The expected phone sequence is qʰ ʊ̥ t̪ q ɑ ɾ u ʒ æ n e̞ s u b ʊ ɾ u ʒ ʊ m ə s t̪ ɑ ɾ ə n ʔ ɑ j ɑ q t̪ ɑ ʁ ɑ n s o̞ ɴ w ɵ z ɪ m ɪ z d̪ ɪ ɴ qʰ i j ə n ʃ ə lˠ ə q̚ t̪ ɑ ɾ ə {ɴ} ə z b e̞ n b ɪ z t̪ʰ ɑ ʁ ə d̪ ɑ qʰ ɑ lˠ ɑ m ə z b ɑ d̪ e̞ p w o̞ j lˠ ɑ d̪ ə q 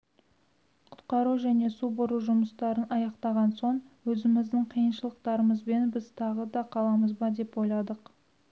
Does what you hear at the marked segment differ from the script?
yes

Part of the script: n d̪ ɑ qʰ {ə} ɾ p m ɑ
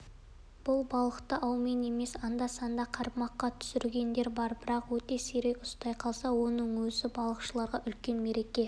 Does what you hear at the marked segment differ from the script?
yes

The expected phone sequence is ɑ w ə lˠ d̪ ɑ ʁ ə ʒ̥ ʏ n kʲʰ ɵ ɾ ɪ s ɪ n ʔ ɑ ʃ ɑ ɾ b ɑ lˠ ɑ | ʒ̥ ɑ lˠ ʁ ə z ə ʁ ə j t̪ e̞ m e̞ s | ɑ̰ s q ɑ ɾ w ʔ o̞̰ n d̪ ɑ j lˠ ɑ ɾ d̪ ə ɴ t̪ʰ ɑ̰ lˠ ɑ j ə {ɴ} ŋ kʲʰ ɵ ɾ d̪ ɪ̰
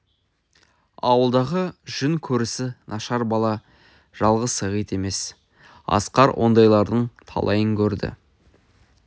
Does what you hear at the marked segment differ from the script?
yes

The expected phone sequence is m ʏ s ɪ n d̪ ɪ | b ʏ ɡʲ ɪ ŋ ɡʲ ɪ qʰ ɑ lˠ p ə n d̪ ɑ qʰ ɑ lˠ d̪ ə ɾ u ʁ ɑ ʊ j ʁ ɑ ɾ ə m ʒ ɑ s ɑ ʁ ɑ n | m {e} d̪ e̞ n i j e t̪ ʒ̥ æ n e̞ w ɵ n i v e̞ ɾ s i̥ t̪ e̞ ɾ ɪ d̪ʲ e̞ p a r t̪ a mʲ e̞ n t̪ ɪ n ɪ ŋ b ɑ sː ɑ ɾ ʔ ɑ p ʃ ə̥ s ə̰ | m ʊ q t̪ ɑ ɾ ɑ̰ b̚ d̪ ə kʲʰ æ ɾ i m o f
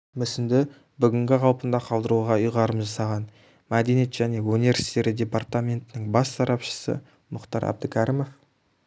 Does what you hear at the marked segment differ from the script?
yes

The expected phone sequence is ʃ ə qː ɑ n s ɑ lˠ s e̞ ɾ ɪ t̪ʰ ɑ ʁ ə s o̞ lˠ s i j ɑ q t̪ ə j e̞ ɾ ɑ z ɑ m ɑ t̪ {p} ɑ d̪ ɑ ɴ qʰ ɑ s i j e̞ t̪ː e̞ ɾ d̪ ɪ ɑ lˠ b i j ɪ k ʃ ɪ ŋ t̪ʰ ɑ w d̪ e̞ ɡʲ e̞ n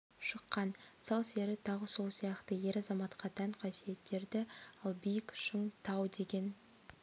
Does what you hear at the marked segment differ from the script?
yes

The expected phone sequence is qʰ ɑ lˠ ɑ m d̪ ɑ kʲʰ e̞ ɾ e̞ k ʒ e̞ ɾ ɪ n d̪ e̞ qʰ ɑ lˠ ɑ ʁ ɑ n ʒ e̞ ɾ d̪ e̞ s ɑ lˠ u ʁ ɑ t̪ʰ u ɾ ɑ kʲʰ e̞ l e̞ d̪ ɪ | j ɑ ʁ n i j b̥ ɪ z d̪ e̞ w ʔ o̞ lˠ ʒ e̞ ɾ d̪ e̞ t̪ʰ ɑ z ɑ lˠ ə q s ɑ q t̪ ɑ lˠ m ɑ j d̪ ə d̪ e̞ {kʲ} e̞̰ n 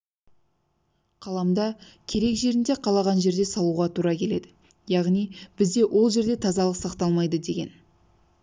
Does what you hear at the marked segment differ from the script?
yes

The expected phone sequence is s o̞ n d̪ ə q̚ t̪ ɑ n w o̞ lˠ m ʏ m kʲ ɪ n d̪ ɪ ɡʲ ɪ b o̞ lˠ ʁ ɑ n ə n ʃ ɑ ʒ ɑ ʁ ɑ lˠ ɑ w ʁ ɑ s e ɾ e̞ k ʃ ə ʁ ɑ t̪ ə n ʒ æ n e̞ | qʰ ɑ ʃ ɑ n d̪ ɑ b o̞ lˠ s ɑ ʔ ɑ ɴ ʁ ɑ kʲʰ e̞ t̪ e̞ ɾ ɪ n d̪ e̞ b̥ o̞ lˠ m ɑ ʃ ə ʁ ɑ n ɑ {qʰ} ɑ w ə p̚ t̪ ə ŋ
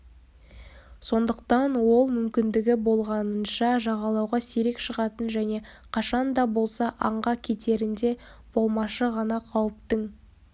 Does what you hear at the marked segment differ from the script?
no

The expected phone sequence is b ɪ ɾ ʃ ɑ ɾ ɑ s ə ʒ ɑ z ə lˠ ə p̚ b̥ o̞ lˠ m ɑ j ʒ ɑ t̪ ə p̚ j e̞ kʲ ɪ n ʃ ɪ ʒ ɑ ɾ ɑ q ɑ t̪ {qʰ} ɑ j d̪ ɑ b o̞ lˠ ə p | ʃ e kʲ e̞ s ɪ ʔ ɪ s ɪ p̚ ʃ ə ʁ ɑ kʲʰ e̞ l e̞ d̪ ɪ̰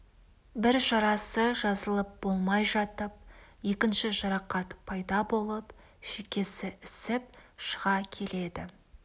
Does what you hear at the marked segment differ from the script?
yes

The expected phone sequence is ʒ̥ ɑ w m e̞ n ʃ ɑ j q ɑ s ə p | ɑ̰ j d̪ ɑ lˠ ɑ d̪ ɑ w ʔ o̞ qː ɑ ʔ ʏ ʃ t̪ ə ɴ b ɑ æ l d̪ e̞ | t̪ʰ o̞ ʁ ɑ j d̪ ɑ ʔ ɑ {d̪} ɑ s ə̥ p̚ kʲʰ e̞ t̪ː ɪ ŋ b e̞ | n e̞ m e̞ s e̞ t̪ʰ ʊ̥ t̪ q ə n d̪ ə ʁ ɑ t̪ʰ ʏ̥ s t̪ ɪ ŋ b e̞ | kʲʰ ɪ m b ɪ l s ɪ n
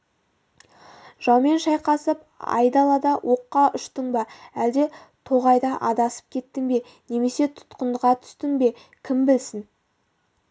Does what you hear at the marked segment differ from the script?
no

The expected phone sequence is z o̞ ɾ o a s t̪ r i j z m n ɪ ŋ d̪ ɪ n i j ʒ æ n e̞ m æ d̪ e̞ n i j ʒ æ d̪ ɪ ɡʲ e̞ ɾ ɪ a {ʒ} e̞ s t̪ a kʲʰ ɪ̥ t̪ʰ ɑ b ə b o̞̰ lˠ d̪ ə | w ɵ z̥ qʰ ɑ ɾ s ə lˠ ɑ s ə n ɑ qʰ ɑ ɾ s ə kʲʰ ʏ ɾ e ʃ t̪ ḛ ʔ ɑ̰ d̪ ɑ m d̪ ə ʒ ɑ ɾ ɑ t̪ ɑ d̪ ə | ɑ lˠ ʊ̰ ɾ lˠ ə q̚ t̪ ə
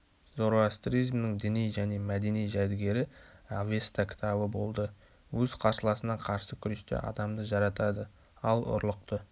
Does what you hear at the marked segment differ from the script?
yes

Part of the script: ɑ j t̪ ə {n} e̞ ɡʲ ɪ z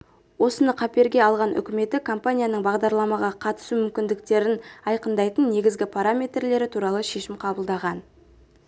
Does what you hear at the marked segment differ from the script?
yes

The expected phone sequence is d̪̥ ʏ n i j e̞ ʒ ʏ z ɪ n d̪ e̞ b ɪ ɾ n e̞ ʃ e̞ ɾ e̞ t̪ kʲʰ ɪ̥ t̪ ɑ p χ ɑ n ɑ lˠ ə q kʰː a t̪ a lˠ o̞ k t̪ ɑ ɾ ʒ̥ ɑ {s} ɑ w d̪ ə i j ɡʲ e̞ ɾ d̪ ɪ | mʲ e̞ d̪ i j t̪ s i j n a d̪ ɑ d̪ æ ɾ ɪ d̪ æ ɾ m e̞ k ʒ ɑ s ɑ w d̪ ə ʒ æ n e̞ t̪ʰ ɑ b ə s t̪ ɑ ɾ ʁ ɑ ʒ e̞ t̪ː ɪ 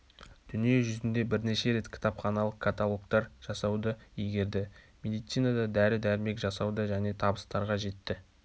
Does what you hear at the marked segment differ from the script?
no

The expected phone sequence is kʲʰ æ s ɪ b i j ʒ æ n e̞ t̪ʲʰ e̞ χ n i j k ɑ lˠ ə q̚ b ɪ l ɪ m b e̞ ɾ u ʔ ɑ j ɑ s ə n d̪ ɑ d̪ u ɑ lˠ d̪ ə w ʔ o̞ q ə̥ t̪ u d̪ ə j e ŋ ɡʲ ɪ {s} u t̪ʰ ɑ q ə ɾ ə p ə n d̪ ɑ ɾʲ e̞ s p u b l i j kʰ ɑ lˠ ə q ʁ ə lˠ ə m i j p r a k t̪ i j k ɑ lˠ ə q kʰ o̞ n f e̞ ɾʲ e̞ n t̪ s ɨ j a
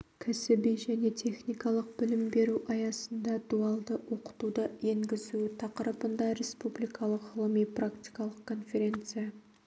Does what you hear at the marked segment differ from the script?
yes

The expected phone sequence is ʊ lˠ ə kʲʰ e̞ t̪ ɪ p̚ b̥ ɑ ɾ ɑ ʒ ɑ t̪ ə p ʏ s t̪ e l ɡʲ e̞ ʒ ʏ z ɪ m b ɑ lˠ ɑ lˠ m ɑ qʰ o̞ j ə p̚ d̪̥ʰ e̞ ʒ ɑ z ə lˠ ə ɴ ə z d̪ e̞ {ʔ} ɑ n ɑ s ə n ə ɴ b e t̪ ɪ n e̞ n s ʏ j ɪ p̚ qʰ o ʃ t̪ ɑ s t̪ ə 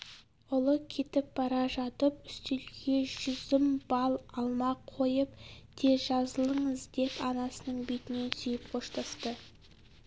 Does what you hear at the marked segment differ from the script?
yes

